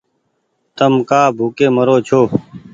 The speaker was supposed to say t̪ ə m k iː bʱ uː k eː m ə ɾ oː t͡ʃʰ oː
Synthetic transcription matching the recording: t̪ ə m k aː bʱ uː k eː m ə ɾ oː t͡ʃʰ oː